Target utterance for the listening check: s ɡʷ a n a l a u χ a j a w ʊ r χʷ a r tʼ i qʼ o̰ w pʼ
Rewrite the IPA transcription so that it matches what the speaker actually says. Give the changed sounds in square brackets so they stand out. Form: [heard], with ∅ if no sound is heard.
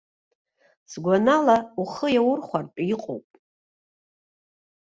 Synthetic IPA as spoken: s ɡʷ a n a l a u χ [ə] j a w ʊ r χʷ a r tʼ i qʼ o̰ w pʼ